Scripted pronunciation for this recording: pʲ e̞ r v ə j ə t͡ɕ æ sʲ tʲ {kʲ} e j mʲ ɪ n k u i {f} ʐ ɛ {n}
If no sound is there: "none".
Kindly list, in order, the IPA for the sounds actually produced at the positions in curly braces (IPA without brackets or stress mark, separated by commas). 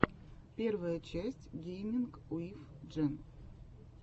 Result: ɡʲ, f, n